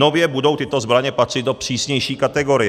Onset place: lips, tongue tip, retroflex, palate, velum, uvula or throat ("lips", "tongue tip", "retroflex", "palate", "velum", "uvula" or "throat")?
lips